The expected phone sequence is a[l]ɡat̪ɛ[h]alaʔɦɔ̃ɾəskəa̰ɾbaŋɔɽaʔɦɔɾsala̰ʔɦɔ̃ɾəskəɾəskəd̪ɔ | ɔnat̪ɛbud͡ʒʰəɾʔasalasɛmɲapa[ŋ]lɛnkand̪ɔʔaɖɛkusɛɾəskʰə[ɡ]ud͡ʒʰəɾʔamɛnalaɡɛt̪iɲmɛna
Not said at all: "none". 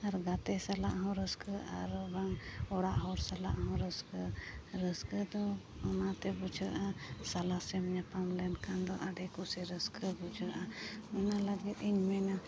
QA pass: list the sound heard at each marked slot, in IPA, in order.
ɾ, s, m, b

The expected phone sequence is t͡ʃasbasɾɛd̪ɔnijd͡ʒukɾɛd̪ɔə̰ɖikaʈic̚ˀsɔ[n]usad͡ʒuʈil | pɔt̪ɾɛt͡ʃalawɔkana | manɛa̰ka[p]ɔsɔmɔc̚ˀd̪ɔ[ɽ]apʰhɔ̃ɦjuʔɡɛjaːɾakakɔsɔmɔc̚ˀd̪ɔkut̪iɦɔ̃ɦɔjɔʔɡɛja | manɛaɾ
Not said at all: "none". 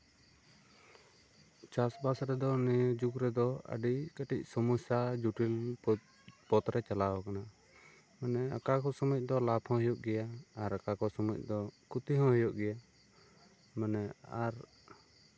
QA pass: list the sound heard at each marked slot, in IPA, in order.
m, k, l

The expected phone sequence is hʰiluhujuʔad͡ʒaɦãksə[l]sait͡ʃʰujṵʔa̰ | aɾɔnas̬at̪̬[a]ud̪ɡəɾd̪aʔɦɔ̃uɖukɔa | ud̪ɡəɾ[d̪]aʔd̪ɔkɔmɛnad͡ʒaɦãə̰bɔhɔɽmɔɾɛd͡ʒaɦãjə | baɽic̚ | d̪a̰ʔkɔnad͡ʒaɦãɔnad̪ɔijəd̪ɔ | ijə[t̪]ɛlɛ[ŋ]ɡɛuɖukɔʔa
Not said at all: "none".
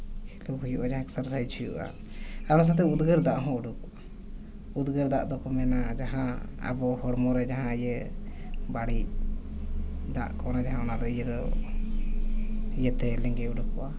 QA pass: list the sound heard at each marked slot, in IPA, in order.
ɾ, ɛ, d̪, t̪, ŋ

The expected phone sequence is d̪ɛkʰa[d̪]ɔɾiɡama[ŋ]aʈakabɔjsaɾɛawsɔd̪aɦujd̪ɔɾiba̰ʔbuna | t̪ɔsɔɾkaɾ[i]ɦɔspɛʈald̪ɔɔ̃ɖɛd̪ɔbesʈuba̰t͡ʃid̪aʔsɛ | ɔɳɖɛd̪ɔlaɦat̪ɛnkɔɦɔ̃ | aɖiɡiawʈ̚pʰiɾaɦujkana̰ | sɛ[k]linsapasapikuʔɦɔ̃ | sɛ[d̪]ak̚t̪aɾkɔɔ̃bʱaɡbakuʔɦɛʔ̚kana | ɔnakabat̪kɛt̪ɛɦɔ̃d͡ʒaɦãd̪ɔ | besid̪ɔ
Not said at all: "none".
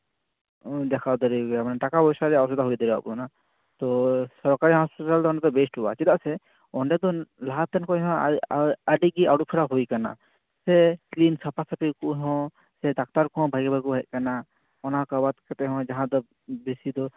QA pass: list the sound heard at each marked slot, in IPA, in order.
d̪, n, i, k, d̪

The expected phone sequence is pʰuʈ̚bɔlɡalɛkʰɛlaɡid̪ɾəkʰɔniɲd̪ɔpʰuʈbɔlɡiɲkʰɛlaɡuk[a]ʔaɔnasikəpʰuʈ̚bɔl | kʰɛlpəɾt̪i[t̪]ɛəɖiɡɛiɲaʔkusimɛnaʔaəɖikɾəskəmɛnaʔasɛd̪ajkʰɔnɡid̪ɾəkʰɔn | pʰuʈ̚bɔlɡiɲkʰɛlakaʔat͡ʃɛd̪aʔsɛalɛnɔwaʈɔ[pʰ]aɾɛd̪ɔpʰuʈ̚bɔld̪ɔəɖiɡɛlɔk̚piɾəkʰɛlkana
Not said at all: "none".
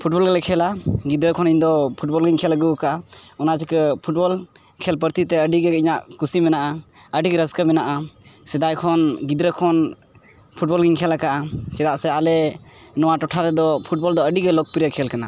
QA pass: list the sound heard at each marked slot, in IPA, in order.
a, t̪, ʈʰ

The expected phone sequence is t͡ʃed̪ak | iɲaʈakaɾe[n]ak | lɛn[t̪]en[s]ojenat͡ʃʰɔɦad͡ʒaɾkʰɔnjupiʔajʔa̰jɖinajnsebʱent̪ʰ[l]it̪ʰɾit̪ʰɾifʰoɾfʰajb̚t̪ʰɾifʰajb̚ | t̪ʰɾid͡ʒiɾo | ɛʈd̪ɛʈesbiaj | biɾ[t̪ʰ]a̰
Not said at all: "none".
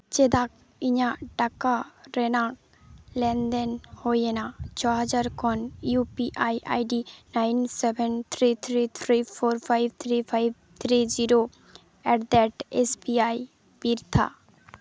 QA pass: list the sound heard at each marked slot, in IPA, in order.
n, d̪, h, ɾ, t̪ʰ

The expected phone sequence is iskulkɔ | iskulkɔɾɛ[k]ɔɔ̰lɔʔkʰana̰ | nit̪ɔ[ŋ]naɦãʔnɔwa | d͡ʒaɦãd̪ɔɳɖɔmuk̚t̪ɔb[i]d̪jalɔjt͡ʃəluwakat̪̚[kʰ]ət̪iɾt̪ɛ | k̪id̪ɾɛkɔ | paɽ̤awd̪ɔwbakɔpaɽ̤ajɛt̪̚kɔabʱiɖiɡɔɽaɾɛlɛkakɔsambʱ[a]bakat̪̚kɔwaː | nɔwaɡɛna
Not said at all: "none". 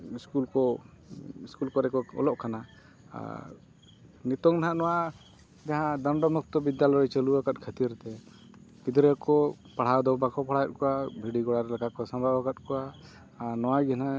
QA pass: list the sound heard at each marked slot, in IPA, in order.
k, ŋ, i, kʰ, a

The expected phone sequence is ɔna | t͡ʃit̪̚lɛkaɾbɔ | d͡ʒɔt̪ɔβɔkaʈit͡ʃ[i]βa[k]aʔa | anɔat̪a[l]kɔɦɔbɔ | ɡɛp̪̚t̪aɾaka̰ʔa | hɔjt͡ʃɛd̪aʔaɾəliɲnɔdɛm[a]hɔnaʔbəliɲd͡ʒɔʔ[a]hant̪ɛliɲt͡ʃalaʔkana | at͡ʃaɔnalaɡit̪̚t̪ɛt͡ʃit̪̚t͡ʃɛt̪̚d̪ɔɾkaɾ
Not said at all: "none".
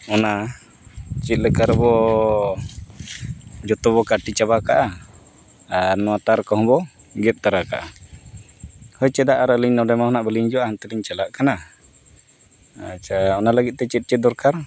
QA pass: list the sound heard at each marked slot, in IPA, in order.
a, k, ɾ, a, a

